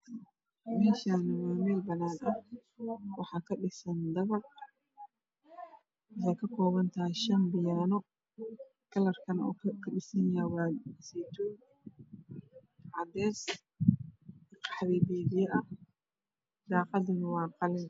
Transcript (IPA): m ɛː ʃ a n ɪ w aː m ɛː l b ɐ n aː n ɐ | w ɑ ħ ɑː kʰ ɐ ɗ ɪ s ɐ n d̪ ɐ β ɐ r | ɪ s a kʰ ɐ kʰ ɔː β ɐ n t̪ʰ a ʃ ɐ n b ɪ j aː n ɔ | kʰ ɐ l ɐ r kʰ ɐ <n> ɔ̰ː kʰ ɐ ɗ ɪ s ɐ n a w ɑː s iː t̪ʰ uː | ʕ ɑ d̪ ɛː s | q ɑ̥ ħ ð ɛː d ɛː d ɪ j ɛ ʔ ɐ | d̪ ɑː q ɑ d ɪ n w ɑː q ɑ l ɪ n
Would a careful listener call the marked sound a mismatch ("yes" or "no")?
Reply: no